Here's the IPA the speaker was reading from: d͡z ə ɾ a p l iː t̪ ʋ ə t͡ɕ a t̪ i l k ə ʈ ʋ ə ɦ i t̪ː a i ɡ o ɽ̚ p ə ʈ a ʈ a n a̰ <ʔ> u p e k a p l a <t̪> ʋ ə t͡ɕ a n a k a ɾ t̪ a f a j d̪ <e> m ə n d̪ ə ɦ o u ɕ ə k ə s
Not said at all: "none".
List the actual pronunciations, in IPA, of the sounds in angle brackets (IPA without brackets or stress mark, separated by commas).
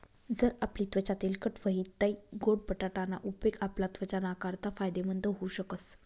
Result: ʔ, t̪, e